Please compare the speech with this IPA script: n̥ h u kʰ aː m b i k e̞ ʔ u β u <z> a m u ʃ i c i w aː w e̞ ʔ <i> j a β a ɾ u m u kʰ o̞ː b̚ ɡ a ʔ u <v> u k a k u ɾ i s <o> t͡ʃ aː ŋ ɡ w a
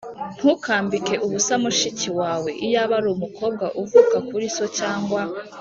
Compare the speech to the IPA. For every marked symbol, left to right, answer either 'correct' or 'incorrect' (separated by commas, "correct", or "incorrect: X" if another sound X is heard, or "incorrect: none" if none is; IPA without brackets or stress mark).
incorrect: s, correct, correct, correct